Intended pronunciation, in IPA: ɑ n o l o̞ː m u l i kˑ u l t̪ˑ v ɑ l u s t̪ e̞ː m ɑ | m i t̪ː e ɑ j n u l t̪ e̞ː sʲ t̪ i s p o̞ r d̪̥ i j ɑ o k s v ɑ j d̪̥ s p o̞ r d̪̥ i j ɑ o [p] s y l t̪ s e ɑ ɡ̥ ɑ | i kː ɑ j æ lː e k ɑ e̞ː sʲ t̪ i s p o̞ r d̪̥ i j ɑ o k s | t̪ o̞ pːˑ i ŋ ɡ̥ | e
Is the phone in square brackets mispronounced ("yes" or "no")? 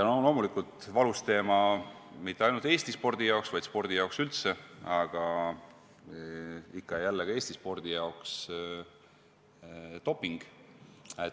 yes